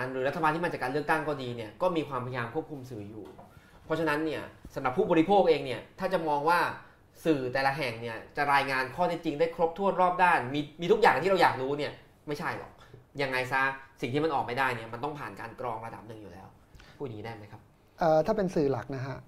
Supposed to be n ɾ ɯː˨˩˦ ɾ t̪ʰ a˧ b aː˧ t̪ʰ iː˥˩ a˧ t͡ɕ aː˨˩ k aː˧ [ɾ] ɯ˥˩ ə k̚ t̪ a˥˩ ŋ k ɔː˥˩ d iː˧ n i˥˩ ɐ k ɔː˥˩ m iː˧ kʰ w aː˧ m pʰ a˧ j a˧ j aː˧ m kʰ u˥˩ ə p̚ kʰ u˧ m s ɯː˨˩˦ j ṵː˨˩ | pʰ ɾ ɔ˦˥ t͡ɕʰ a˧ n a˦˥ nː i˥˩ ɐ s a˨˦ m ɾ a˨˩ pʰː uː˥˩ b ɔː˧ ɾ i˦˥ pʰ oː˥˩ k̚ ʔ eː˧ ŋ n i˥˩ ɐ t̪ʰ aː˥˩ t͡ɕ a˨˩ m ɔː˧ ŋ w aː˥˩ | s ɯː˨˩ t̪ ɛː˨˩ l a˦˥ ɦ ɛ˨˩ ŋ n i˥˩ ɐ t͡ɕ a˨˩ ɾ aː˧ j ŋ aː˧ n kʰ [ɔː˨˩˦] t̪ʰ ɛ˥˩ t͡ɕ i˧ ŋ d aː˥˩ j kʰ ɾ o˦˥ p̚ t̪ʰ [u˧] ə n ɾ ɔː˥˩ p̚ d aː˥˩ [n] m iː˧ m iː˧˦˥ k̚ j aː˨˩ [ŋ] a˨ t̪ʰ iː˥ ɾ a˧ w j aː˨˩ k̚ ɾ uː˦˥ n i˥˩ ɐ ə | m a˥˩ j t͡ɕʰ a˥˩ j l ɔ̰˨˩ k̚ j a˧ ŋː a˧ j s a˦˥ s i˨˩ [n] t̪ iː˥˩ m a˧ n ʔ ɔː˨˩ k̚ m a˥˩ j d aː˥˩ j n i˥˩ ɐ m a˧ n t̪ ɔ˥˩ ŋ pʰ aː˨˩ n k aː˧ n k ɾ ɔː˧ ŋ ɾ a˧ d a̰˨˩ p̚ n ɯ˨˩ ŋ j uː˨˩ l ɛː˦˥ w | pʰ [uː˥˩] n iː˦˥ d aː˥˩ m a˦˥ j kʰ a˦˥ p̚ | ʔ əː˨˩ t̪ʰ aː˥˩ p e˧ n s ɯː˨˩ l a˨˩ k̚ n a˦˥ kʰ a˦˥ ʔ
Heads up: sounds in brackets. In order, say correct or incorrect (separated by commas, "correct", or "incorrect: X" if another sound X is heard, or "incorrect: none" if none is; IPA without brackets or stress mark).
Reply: incorrect: l, incorrect: ɔː˥˩, incorrect: u˥˩, correct, correct, incorrect: ŋ, correct